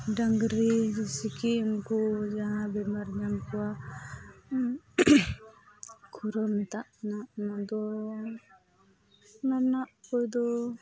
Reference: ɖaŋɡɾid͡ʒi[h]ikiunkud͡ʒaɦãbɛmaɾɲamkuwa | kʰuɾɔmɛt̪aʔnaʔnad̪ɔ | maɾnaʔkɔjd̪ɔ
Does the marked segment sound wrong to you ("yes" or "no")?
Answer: yes